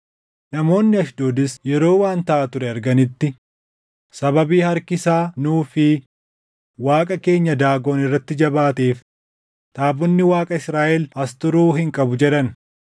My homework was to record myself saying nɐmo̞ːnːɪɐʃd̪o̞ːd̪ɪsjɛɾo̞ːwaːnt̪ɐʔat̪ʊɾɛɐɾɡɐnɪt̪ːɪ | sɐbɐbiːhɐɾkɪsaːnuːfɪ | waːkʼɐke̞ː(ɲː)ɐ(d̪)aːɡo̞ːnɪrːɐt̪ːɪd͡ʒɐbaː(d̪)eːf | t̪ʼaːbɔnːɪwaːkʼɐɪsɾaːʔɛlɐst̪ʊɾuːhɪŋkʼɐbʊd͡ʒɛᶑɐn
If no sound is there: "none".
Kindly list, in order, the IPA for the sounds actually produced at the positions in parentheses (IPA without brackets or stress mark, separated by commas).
ɲː, d̪, t̪